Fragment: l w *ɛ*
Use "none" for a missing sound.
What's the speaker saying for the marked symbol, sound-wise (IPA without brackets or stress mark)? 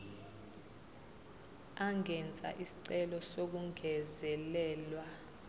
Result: a